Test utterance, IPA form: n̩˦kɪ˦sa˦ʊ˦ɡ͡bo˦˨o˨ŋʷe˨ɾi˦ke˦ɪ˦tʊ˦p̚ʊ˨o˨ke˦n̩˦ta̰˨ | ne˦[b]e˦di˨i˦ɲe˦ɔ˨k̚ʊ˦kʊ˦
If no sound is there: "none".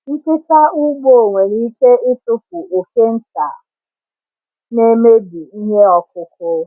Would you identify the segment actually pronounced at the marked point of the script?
m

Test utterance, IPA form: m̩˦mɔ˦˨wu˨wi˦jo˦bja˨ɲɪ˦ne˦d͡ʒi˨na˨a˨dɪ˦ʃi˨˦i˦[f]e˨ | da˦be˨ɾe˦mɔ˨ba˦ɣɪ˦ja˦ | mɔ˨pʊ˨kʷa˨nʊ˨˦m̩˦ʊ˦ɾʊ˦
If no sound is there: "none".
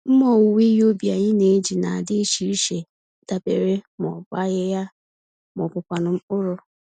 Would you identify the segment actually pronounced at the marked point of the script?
ʃ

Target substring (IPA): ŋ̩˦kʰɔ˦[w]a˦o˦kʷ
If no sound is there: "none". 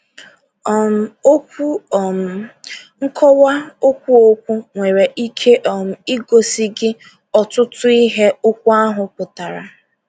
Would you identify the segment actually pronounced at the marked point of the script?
w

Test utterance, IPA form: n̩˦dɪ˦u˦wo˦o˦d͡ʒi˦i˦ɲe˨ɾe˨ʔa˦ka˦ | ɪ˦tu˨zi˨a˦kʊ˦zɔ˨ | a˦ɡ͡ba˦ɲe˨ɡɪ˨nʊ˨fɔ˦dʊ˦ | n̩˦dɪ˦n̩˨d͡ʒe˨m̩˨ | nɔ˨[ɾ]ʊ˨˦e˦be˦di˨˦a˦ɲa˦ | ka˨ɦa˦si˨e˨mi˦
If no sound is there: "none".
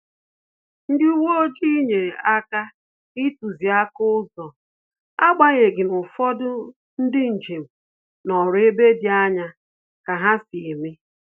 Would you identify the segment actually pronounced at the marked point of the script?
ɾ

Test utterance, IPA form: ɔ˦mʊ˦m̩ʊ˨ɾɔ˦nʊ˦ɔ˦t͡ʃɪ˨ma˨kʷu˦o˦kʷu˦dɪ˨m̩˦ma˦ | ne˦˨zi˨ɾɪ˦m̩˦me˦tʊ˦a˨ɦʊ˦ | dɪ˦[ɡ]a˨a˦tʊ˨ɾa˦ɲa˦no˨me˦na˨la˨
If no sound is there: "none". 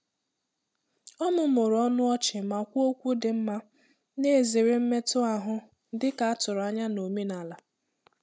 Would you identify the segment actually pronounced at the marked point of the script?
k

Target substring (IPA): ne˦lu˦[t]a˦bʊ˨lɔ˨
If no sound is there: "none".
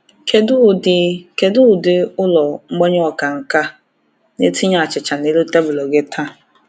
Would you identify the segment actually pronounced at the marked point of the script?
t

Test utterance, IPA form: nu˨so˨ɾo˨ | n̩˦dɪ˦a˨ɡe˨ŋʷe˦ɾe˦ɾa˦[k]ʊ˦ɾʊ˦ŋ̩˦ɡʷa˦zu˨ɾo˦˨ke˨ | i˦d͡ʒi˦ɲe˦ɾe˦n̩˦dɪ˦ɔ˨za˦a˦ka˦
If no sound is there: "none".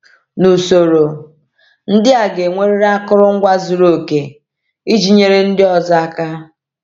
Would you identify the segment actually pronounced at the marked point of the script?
k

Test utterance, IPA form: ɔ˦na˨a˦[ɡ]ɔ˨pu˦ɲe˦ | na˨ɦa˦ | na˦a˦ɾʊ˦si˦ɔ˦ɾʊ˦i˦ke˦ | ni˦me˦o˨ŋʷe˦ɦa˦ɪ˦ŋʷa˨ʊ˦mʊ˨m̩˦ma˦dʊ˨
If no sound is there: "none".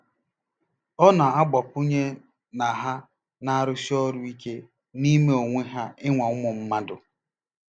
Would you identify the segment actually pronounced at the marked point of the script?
ɡ͡b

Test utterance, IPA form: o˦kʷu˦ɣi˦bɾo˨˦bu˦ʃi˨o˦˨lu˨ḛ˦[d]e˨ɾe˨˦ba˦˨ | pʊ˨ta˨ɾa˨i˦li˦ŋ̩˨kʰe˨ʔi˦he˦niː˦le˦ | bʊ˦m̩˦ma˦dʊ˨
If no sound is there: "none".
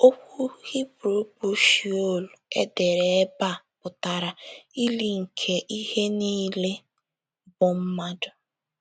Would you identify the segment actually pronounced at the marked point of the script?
d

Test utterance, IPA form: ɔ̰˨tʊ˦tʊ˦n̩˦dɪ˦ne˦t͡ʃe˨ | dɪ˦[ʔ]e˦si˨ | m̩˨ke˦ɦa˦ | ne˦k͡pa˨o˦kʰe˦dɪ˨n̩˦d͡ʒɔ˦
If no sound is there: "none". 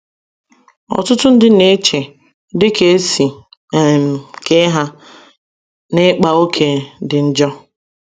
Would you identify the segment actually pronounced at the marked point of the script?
k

